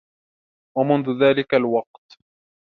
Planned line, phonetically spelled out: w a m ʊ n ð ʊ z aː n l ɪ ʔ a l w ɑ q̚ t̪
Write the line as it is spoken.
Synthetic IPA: w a m ʊ n ð ʊ ð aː l ɪ k a l w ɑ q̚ t̪